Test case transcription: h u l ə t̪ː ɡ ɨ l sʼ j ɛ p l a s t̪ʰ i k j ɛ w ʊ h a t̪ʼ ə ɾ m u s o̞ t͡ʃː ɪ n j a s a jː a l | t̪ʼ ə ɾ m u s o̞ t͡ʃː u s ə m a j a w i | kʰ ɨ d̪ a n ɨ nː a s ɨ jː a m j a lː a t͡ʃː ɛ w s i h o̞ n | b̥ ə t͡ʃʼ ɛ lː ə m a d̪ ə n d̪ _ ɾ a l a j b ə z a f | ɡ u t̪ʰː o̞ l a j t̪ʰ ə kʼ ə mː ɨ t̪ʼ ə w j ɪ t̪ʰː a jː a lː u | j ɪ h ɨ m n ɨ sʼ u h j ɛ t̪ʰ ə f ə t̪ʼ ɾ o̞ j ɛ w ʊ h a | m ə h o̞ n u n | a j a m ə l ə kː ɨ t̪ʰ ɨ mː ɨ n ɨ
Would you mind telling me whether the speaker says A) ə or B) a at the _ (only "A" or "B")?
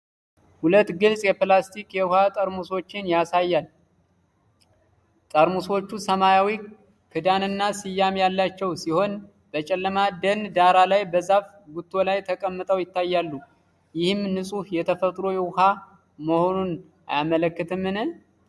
B